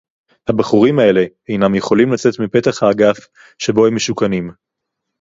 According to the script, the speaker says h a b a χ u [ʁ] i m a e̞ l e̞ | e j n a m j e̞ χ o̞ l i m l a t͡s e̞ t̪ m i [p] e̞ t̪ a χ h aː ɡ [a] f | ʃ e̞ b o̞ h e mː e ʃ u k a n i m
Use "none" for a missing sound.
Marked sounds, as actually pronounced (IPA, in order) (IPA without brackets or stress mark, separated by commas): ʁ, p, a